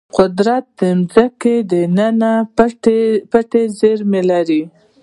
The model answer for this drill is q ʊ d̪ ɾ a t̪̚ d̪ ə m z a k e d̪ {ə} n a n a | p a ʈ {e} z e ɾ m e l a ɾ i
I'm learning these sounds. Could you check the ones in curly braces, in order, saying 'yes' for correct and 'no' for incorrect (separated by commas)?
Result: yes, yes